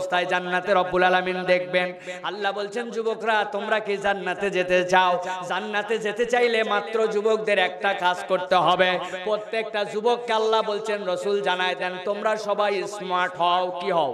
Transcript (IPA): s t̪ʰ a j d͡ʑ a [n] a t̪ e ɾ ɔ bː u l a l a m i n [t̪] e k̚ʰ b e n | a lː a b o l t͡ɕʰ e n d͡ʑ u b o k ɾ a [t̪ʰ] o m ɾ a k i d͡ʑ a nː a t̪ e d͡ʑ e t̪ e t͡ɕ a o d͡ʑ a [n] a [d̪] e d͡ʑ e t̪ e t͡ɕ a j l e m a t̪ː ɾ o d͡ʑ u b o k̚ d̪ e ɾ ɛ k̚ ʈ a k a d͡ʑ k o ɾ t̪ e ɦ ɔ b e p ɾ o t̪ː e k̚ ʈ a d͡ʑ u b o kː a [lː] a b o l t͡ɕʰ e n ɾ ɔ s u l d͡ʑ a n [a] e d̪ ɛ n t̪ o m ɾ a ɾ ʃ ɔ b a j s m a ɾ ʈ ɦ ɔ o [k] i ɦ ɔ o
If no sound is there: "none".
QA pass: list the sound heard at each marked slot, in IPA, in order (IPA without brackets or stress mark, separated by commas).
nː, d̪, t̪, nː, t̪, lː, a, k